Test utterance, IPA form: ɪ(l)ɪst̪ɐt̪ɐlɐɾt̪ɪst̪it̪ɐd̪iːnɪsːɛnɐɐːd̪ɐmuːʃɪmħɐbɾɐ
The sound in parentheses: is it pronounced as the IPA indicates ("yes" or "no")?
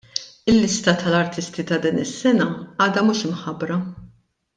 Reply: no